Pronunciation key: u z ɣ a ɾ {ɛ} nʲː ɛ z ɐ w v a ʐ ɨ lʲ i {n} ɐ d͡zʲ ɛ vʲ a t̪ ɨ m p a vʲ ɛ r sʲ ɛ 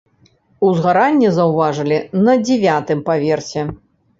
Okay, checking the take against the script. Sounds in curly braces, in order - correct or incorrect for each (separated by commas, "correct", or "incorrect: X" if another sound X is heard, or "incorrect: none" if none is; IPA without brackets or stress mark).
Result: incorrect: a, correct